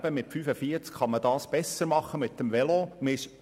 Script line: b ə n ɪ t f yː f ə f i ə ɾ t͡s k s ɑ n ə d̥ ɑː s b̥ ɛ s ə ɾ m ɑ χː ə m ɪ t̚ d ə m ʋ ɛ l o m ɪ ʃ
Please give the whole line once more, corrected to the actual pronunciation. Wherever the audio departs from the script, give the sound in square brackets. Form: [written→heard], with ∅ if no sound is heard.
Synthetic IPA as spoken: b ə [n→m] ɪ t f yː f ə f i ə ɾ t͡s k [s→χ] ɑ [n→m] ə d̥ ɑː s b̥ ɛ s ə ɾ m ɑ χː ə m ɪ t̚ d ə m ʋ ɛ l o m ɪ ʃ